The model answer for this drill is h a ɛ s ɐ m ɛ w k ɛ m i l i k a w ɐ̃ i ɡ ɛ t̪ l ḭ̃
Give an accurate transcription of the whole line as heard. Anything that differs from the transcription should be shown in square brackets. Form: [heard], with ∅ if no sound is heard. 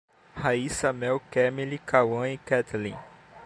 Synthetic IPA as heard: h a [i] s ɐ m ɛ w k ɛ m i l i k a w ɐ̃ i [k] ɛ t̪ l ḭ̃

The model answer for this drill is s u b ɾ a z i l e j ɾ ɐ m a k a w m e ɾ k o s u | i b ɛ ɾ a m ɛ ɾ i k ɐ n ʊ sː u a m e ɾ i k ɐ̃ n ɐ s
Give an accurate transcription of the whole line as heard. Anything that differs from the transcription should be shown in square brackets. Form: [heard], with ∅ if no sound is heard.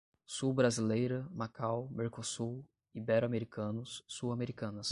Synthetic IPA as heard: s u b ɾ a z i l e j ɾ ɐ m a k a w m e ɾ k o s u | i b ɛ ɾ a m [e] ɾ i k [ɐ̃] n ʊ sː u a m e ɾ i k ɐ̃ n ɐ s

